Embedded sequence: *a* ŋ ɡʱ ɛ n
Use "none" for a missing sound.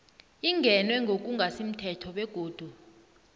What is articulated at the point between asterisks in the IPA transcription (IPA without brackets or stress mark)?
i